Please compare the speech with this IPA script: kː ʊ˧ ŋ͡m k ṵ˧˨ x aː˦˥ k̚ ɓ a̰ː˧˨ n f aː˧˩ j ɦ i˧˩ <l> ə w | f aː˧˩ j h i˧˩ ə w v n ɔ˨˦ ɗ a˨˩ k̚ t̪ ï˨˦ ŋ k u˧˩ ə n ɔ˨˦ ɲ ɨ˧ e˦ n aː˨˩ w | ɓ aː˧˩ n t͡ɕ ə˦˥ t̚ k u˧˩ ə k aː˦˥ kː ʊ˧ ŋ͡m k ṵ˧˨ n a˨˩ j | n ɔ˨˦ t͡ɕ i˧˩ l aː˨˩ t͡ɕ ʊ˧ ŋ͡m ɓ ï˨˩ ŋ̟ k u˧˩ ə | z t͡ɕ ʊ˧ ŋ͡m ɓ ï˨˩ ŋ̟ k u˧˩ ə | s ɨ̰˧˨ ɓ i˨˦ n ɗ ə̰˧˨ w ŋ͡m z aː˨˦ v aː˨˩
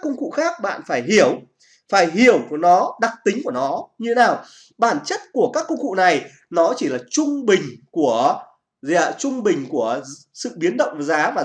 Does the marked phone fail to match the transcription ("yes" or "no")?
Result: yes